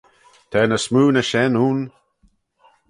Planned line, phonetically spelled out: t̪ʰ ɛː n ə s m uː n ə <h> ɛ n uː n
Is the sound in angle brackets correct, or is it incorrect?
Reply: incorrect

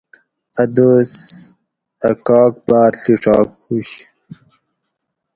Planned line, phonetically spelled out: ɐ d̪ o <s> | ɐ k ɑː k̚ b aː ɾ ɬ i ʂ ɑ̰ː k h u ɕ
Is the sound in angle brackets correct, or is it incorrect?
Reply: correct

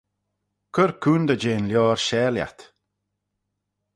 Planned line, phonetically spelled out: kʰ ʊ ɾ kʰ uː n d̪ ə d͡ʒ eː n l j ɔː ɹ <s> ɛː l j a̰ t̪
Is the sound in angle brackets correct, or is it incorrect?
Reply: incorrect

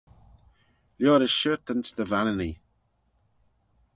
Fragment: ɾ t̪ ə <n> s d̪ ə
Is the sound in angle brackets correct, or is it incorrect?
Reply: correct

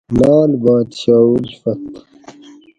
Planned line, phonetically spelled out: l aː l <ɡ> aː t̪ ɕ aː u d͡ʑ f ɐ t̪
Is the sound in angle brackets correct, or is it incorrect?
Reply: incorrect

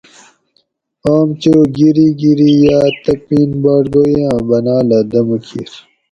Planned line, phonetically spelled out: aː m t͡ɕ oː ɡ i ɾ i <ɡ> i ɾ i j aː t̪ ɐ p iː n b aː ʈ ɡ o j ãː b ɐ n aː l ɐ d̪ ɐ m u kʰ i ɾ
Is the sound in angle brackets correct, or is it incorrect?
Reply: correct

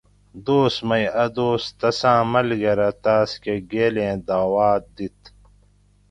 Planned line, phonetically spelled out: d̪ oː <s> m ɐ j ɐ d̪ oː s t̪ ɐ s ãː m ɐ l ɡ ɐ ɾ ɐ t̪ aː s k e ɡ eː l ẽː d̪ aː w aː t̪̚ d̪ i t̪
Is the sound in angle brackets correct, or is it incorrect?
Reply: correct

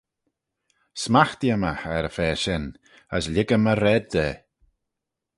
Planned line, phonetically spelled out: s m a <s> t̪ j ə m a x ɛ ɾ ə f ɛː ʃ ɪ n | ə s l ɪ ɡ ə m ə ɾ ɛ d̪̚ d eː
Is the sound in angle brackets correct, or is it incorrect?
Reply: incorrect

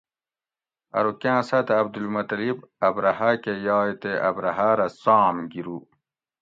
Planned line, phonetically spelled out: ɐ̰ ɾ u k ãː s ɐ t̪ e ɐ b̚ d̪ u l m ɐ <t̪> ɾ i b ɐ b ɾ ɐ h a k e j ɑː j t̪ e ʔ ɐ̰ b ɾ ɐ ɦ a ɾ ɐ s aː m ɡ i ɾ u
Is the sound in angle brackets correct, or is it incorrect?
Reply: correct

